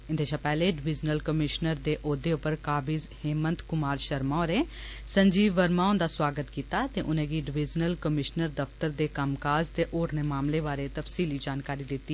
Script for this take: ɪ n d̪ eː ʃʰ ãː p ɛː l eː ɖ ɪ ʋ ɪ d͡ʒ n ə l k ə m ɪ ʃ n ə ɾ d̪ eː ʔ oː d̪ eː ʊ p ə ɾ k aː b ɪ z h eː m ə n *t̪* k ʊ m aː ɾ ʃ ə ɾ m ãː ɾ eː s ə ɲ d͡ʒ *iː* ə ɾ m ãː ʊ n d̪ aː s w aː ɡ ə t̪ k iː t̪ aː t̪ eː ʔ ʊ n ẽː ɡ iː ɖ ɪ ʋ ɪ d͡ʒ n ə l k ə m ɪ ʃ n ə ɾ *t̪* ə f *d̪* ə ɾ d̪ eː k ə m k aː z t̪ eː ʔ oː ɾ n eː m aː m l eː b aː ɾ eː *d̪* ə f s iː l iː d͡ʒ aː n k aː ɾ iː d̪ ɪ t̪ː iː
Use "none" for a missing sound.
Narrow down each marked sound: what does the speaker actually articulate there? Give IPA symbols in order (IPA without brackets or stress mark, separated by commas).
t̪, iː, d̪, t̪, t̪